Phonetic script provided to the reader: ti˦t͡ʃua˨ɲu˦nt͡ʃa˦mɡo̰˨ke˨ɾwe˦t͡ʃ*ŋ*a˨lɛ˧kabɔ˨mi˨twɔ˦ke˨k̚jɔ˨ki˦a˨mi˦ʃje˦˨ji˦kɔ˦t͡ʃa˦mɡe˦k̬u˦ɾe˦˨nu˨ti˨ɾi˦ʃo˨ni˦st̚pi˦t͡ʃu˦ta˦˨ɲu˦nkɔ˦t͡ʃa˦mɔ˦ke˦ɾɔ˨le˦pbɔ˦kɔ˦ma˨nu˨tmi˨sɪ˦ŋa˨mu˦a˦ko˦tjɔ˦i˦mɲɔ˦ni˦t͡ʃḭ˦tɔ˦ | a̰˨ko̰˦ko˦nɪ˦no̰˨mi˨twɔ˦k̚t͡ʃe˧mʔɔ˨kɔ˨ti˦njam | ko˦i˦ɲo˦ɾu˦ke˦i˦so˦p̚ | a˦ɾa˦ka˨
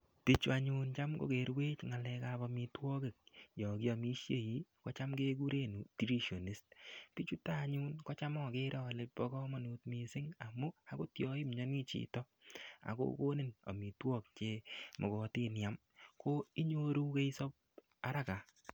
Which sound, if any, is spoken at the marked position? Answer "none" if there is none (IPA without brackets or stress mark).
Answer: ŋ